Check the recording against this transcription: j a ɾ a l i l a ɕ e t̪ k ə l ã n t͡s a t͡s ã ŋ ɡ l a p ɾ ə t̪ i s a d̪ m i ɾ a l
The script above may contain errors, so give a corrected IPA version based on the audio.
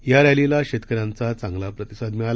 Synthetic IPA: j a ɾ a l i l a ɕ e t̪ k ə ɾ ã n t͡s a t͡s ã ŋ ɡ l a p ɾ ə t̪ i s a d̪ m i ɭ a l